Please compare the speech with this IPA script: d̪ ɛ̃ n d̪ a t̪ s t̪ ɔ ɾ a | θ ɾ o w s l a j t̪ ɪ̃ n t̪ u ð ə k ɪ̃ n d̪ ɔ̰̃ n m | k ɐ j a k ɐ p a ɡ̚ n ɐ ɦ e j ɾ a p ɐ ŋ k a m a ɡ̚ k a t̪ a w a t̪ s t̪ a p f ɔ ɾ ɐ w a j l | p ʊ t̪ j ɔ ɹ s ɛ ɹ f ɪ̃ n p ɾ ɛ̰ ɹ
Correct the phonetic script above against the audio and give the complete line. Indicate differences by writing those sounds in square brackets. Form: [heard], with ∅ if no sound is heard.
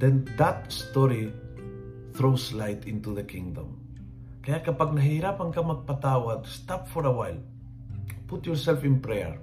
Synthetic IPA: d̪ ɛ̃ n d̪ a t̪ s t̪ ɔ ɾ [i] | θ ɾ o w s l a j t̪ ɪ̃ n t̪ u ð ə k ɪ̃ [ŋ] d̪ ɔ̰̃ [∅] m | k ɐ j a k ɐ p a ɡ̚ n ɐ ɦ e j ɾ a p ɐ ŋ k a m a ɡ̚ [p] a t̪ a w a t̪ s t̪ a p f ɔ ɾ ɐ w a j l | p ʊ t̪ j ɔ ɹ s ɛ [l] f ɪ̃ n p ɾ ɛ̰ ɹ